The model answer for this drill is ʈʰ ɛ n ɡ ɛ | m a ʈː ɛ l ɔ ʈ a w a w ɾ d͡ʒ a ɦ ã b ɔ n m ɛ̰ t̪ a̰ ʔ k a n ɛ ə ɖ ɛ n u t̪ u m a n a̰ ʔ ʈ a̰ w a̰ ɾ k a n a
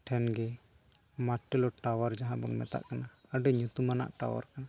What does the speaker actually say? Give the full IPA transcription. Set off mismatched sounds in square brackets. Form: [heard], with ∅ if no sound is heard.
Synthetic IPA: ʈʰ ɛ n ɡ ɛ | m a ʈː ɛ l ɔ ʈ a w a [∅] ɾ d͡ʒ a ɦ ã b ɔ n m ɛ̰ t̪ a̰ ʔ k a n [a] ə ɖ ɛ [ɲ] u t̪ u m a n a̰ ʔ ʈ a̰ w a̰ ɾ k a n a